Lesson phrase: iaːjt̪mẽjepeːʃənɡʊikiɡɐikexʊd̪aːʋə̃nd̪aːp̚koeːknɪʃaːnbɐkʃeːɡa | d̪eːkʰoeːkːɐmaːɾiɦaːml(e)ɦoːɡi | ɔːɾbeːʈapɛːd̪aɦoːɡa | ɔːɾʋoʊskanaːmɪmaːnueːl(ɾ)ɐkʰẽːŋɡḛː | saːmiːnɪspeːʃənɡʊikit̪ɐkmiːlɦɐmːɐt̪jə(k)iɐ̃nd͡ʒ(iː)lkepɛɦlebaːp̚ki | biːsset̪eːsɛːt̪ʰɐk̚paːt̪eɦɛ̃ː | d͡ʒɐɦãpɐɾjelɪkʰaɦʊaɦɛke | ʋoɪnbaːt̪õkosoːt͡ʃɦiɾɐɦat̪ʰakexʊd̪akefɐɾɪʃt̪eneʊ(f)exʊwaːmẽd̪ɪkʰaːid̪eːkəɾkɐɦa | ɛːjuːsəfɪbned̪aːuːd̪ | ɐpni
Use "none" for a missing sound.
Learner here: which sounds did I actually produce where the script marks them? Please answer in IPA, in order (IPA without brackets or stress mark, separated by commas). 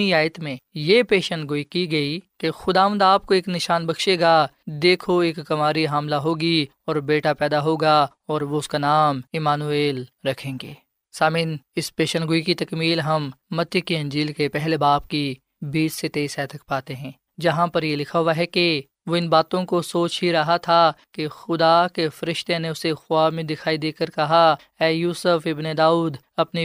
a, ɾ, k, iː, s